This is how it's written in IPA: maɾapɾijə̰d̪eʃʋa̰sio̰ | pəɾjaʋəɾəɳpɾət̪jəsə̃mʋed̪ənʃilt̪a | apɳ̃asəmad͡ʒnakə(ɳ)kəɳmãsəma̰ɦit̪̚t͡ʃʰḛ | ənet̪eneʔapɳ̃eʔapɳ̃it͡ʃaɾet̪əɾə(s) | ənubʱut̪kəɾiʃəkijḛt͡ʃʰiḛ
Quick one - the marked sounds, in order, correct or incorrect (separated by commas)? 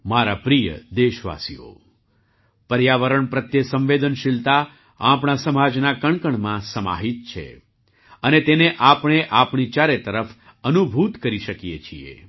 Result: correct, incorrect